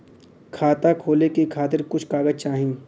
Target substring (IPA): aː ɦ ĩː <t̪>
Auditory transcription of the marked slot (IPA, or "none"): none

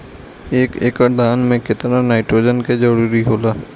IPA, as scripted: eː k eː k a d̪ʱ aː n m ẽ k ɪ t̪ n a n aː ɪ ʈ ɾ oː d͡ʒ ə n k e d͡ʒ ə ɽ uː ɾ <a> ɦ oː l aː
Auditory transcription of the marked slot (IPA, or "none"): i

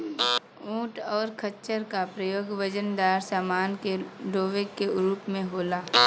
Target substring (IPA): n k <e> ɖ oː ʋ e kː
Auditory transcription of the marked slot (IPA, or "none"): e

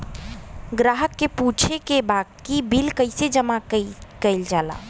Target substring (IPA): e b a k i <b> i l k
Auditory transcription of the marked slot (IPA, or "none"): b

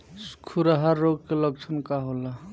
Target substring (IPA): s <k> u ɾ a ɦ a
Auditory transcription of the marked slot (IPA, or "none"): kʰ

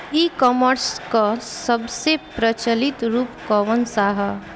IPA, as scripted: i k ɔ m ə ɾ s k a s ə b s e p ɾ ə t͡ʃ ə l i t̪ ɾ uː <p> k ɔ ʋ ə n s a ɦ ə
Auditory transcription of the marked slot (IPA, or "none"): p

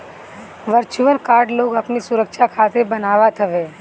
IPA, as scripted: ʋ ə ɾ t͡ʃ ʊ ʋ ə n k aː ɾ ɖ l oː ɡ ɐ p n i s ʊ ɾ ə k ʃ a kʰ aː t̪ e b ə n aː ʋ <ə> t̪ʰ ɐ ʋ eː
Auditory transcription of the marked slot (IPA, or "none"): a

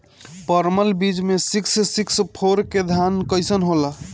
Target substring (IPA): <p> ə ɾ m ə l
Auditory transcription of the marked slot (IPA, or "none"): p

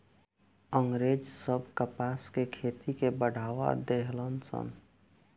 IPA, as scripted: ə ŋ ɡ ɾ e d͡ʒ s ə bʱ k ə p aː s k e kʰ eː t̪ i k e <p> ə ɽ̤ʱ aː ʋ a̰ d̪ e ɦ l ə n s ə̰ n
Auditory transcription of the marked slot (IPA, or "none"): b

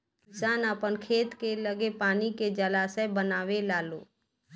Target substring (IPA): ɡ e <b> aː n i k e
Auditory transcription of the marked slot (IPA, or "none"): p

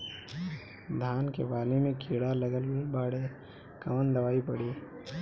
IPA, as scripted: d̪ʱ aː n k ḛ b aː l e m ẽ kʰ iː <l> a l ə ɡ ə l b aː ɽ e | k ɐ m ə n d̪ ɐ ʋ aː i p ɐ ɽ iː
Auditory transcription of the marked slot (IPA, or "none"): ɽ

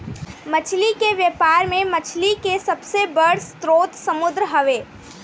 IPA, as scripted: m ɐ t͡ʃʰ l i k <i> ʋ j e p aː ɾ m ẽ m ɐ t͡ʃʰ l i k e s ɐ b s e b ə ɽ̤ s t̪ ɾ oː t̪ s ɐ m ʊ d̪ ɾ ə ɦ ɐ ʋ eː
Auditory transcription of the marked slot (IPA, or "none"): e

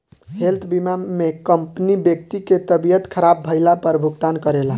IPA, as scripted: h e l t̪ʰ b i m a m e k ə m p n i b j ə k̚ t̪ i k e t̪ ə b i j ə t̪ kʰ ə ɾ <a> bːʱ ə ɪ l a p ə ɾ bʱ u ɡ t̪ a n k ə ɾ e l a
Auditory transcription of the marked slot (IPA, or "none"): a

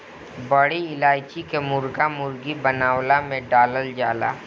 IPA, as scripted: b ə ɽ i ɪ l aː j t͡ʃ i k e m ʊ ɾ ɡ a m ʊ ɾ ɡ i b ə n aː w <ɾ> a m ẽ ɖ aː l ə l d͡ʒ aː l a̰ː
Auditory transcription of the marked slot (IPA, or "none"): l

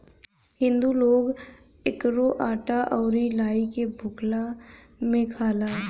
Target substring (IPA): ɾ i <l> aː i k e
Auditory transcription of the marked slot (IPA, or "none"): l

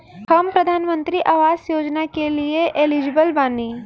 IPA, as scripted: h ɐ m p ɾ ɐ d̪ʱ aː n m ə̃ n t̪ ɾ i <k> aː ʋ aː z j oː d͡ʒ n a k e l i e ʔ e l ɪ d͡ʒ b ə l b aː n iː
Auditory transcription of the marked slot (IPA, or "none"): ʔ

